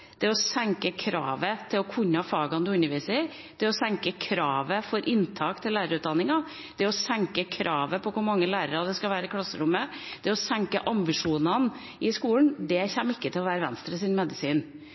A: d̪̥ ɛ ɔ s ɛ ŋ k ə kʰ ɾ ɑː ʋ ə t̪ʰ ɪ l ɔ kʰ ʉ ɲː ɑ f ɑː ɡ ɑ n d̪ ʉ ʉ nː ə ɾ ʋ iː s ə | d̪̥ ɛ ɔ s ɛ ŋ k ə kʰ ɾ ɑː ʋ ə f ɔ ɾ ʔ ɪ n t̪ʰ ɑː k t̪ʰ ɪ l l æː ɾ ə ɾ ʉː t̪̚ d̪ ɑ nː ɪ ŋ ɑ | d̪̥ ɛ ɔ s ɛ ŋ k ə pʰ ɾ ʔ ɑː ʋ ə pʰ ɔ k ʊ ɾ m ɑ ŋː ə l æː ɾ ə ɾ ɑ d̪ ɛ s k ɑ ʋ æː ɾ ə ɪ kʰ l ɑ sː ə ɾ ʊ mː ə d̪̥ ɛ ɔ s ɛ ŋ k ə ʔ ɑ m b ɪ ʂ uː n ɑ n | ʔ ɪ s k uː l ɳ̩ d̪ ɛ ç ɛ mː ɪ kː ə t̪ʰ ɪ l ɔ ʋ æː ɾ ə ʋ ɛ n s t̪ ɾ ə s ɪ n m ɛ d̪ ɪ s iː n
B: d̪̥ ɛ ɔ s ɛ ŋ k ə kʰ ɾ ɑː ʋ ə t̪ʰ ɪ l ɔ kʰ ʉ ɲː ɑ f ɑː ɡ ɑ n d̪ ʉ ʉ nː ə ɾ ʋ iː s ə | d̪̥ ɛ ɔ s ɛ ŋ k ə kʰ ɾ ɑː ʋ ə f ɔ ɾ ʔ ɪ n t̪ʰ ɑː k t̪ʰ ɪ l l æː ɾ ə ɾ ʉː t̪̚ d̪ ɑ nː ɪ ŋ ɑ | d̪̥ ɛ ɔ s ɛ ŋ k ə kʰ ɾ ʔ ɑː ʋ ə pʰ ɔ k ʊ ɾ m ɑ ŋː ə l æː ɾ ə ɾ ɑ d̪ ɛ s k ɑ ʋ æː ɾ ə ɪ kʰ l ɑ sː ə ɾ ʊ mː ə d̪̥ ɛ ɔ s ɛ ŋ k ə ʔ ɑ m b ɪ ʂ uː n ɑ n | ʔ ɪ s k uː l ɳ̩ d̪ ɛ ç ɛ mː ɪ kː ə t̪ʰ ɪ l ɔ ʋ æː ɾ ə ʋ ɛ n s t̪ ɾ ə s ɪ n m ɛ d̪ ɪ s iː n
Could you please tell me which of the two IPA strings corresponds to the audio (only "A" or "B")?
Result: B